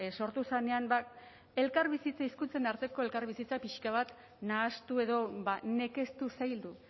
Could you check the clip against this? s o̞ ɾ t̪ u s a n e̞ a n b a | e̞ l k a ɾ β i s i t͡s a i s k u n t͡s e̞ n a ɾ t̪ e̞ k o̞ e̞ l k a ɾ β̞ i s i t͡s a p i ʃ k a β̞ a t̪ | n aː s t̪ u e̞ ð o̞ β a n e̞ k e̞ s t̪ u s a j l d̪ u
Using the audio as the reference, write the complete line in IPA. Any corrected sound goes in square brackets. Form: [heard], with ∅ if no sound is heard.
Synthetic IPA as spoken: s o̞ ɾ t̪ u s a n e̞ a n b a | e̞ l k a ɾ β i s i t͡s a i s k u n t͡s e̞ n a ɾ t̪ e̞ k o̞ e̞ l k a ɾ β̞ i s i t͡s a p i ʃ k a β̞ a t̪ | n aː s t̪ u e̞ ð o̞ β a n e̞ k e̞ s t̪ u s a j l d̪ u